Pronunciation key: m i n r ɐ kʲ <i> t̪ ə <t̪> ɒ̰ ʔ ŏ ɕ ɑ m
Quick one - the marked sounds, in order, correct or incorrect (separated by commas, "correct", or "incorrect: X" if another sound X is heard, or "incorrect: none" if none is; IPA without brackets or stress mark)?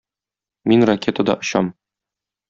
incorrect: e, incorrect: d̪